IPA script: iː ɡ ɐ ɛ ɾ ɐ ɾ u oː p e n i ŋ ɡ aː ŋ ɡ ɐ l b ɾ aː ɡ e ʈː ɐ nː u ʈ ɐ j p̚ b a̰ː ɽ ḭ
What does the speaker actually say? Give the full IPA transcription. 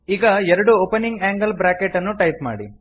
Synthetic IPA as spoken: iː ɡ ɐ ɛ ɾ ɐ ɽ u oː p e n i ŋ ɡ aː ŋ ɡ ɐ l b ɾ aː k e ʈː ɐ nː u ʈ ɐ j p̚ m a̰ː ɽ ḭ